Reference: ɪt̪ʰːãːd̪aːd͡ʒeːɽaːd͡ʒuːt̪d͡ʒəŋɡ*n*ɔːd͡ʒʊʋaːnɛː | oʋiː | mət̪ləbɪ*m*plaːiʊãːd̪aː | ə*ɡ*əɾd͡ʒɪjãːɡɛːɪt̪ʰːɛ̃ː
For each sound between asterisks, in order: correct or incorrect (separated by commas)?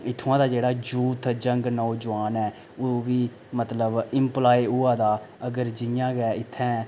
correct, correct, correct